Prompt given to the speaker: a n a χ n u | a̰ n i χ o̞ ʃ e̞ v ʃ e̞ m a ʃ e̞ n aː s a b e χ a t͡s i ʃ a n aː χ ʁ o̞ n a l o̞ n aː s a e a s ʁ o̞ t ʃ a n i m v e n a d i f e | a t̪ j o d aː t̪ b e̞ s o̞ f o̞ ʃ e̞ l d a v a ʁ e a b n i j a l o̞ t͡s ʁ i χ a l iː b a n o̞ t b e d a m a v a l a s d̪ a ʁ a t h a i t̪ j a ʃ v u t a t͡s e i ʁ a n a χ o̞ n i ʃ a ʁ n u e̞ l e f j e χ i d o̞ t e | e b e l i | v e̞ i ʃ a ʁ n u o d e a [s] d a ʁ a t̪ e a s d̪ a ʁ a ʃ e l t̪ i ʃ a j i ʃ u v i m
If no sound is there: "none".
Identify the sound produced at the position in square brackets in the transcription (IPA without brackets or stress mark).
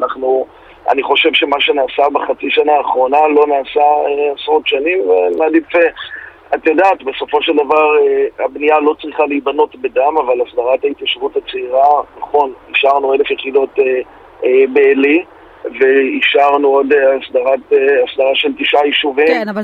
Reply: s